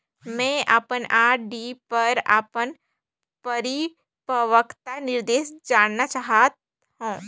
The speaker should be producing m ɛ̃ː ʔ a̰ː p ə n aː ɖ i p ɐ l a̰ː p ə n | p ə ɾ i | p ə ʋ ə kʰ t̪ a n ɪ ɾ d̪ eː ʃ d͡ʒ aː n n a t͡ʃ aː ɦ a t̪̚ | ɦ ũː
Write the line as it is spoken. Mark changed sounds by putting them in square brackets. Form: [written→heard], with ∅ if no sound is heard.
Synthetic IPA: m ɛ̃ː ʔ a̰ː p ə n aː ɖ i p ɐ [l→ɾ] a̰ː p ə n | p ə ɾ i | p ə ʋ ə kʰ t̪ a n ɪ ɾ d̪ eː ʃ d͡ʒ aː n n a t͡ʃ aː ɦ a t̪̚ | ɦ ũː